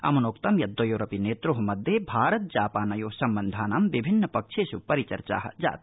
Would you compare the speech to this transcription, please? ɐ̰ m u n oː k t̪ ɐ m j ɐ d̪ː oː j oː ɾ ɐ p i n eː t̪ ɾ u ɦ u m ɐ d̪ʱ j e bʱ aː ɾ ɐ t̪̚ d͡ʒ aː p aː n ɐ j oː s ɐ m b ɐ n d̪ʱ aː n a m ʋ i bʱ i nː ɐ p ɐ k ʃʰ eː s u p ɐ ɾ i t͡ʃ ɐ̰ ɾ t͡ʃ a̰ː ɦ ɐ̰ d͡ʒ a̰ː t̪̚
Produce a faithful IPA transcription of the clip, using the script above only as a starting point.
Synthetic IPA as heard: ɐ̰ m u n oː k t̪ ɐ m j ɐ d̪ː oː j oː ɾ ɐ p i n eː t̪ ɾ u ɦ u m ɐ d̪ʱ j e bʱ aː ɾ ɐ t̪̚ d͡ʒ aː p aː n ɐ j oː s ɐ m b ɐ n d̪ʱ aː n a m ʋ i bʱ i nː ɐ p ɐ k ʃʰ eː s u p ɐ ɾ i t͡ʃ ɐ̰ ɾ t͡ʃ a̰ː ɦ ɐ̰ d͡ʒ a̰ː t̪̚